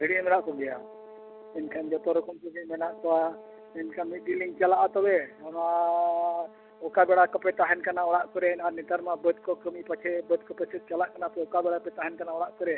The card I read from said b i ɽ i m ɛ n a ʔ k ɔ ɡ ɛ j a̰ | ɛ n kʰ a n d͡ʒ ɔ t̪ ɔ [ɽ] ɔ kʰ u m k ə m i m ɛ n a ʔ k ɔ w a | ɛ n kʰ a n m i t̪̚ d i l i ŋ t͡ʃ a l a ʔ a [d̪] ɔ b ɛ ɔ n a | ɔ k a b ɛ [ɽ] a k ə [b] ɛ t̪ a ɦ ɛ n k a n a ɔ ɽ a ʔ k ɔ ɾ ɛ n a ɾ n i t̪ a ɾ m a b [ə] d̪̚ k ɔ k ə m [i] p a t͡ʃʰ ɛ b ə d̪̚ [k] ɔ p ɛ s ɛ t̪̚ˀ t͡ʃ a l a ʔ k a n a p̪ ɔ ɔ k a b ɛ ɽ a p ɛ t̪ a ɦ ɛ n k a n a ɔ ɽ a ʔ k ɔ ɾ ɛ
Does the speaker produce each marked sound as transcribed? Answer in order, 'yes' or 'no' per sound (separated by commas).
no, no, yes, no, yes, yes, yes